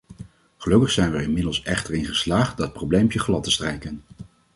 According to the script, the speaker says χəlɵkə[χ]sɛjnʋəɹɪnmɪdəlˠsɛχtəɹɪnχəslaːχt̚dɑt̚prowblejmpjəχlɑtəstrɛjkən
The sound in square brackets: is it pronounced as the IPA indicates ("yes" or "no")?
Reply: yes